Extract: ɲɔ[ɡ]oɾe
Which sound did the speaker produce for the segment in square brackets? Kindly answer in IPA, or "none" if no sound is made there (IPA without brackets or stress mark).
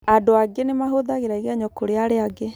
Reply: k